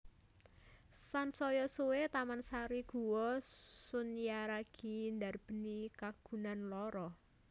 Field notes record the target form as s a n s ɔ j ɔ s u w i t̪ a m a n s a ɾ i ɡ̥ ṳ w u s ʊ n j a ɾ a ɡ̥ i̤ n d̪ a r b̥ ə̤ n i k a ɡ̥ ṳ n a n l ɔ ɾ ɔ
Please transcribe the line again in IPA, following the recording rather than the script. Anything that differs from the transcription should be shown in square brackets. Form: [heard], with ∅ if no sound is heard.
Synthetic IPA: s a n s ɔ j ɔ s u w [e] t̪ a m a n s a ɾ i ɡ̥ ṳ w [ɔ] s ʊ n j a ɾ a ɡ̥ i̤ n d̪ a r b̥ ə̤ n i k a ɡ̥ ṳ n a n l ɔ ɾ ɔ